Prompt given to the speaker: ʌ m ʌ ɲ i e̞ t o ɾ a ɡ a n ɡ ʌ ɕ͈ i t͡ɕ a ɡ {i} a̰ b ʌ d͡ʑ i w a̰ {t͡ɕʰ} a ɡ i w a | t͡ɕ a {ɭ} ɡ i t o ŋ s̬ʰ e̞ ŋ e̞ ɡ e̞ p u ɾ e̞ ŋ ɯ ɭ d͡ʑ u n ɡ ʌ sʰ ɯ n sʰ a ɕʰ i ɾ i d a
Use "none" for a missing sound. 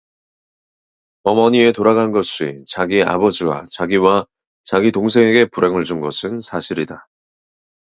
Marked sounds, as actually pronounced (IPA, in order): i, t͡ɕ, none

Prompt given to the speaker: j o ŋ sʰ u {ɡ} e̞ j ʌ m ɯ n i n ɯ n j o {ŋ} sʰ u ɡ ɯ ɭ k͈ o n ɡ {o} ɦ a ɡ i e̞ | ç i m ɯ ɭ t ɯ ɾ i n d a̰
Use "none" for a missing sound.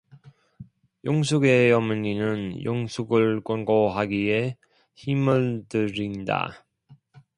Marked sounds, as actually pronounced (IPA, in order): ɡ, ŋ, o

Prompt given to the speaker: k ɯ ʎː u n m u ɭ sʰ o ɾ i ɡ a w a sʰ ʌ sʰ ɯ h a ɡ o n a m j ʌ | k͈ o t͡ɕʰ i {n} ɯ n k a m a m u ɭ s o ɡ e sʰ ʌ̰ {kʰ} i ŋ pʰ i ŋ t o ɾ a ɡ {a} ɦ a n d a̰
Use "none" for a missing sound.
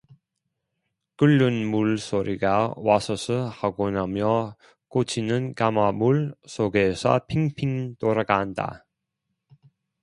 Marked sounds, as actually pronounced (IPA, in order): n, pʰ, a

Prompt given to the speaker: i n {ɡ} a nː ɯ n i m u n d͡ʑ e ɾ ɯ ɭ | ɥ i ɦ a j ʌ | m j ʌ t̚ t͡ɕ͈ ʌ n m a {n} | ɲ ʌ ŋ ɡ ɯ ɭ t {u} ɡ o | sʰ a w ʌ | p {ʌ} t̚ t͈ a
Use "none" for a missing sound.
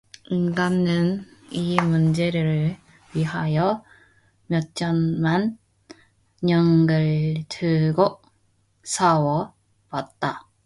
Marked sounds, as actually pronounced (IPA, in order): ɡ, n, ɯ, a

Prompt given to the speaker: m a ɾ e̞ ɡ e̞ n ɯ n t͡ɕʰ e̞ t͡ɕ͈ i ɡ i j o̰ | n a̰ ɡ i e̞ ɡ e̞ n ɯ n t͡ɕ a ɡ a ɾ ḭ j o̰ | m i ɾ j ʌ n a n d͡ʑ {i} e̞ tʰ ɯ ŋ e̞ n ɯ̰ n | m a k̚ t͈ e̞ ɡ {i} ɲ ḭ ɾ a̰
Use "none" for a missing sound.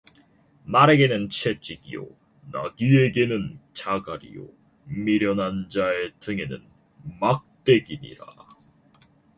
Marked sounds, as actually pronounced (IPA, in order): a, i

